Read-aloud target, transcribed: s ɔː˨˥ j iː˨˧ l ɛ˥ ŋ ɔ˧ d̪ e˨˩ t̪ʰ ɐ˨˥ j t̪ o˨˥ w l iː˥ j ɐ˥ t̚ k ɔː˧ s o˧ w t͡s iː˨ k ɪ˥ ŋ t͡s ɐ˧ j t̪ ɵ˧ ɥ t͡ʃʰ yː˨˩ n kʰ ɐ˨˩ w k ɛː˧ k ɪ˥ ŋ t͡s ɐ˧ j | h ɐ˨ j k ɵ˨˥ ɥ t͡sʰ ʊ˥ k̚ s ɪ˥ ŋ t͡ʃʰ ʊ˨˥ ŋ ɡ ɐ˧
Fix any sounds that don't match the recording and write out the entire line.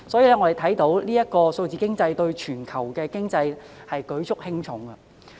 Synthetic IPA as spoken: s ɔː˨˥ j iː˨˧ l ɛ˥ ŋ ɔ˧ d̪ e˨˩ t̪ʰ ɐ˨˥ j t̪ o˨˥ w l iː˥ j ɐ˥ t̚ k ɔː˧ s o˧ w t͡s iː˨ k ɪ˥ ŋ t͡s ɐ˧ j t̪ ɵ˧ ɥ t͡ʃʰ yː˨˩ n kʰ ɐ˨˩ w k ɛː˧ k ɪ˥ ŋ t͡s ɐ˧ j | h ɐ˨ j k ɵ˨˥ ɥ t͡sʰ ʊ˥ k̚ h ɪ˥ ŋ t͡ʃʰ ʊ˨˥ ŋ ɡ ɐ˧